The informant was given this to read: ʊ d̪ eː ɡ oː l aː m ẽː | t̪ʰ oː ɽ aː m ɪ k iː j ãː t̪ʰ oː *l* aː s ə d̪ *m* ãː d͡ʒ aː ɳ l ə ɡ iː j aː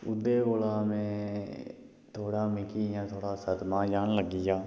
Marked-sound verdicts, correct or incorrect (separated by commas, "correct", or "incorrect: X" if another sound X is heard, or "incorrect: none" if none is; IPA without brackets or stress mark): incorrect: ɽ, correct